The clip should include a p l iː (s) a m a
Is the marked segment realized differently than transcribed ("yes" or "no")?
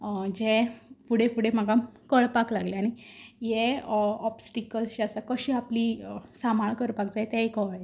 no